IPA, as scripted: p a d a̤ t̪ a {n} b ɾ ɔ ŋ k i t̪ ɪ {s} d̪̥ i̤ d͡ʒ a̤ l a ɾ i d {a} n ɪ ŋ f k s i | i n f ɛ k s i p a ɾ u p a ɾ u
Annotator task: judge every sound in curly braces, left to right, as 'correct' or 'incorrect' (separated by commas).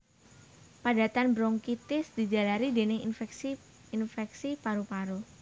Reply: correct, correct, incorrect